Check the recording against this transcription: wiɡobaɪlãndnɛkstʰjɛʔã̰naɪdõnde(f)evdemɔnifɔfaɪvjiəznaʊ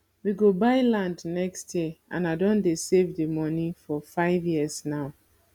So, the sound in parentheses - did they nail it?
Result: no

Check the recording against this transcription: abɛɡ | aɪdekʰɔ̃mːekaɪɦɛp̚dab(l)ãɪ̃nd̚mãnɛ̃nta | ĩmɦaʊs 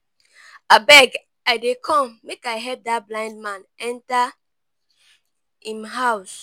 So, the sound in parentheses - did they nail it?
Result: yes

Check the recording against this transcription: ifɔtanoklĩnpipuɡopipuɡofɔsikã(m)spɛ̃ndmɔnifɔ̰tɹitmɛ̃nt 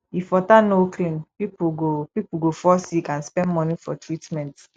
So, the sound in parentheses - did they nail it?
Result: no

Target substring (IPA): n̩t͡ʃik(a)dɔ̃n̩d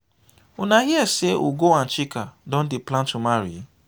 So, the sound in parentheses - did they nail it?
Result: yes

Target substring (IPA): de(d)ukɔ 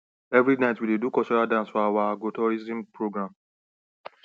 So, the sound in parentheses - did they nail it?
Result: yes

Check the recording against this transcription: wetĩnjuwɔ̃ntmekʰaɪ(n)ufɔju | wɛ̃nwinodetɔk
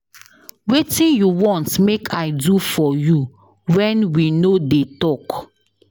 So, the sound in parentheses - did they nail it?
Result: no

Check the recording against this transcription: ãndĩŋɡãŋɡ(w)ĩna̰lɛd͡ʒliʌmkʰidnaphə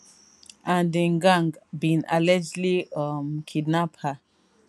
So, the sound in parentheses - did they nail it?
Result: no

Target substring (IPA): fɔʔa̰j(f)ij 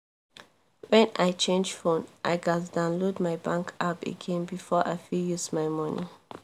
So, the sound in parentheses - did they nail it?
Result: yes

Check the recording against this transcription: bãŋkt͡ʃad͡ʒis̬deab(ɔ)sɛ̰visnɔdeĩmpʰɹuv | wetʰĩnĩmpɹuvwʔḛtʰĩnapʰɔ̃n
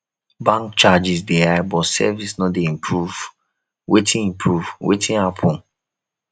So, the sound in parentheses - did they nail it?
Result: yes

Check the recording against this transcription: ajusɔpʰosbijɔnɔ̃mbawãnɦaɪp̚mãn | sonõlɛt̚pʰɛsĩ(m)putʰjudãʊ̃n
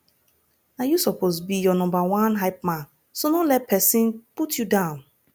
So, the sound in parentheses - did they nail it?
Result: no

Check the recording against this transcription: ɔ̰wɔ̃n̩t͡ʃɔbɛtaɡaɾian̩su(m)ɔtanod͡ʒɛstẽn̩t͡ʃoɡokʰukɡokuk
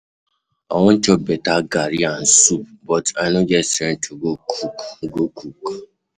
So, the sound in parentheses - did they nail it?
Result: no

